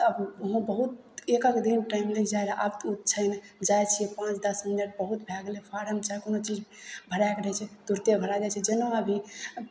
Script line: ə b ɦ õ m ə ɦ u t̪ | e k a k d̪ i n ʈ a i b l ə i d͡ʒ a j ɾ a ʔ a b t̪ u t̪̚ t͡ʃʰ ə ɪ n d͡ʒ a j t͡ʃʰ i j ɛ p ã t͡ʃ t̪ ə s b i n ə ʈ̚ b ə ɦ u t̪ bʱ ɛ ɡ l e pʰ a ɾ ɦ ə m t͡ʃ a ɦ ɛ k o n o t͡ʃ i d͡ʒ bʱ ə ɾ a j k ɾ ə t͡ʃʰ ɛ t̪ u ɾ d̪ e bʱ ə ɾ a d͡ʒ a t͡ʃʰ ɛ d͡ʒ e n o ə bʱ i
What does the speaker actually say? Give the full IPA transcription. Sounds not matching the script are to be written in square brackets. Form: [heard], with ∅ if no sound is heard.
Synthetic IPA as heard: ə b ɦ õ [b] ə ɦ u t̪ | e k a k d̪ i n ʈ a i [m] l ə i d͡ʒ a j ɾ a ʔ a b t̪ u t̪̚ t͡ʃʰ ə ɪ n d͡ʒ a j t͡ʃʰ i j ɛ p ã t͡ʃ [d̪] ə s [m] i n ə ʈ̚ b ə ɦ u t̪ bʱ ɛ ɡ l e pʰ a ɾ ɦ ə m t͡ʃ a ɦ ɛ k o n o t͡ʃ i d͡ʒ bʱ ə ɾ a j k ɾ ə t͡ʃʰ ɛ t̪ u ɾ [t̪] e bʱ ə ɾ a d͡ʒ a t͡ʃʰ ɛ d͡ʒ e n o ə bʱ i